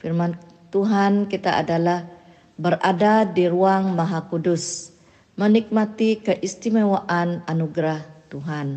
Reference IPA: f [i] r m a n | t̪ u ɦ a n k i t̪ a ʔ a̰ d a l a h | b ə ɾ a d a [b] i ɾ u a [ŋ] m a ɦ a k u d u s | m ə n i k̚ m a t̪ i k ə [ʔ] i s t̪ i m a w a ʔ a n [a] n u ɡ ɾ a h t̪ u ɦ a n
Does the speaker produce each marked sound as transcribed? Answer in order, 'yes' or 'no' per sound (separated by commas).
yes, no, yes, yes, yes